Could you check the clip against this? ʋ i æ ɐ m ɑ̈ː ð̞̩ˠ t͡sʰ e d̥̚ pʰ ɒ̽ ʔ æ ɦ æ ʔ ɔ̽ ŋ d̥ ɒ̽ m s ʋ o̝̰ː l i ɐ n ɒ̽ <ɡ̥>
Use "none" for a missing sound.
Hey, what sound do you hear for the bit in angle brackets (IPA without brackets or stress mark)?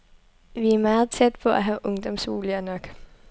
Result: ɡ̥